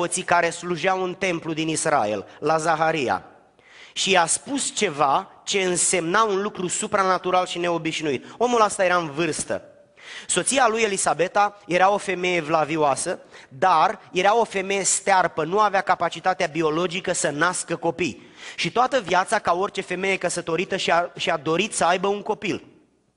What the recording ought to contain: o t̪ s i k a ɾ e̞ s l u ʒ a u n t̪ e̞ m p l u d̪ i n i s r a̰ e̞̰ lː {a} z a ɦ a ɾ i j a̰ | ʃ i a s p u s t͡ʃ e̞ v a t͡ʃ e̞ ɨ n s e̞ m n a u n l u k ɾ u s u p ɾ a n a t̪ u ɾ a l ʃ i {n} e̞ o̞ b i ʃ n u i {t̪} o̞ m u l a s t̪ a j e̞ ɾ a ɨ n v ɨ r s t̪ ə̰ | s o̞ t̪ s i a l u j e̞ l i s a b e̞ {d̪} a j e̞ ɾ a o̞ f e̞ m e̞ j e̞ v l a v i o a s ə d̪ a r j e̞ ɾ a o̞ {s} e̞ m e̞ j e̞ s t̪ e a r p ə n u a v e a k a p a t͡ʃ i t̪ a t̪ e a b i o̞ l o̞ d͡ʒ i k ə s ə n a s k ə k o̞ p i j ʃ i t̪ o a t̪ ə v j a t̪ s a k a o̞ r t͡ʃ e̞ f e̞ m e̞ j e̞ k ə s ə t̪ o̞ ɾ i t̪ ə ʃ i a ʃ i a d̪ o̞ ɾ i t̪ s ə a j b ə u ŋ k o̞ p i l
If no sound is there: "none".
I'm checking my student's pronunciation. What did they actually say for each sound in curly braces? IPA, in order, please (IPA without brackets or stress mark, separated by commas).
a, n, t̪, t̪, f